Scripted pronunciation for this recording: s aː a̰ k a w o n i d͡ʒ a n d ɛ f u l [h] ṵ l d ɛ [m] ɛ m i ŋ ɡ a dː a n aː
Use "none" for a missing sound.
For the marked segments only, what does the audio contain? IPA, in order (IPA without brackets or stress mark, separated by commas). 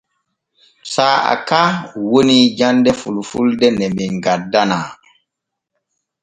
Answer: f, n